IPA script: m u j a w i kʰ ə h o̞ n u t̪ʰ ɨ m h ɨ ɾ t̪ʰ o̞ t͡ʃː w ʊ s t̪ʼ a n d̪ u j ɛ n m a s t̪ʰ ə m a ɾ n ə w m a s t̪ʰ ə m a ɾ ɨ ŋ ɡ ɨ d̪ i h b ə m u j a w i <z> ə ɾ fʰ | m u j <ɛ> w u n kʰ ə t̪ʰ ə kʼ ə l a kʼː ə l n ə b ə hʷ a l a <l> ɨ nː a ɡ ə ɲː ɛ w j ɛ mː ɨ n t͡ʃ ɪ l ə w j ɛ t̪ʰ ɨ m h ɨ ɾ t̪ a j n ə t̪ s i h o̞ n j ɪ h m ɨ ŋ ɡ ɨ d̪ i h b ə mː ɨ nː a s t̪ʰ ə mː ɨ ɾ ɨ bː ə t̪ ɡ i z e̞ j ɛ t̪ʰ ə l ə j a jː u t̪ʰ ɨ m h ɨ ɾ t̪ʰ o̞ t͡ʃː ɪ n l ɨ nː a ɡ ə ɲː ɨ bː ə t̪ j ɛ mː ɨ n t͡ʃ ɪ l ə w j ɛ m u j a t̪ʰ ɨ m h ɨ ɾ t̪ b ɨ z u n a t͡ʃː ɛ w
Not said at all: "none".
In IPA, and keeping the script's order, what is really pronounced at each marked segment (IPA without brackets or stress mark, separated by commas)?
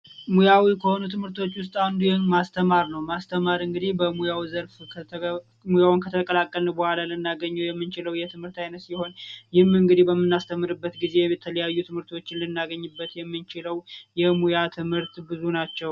z, a, l